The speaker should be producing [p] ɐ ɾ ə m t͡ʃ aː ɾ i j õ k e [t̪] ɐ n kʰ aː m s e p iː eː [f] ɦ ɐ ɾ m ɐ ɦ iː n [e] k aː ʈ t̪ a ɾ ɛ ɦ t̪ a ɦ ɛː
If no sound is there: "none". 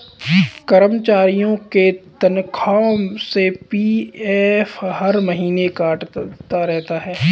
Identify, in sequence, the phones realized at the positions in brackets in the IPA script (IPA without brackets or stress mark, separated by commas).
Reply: k, t̪, f, e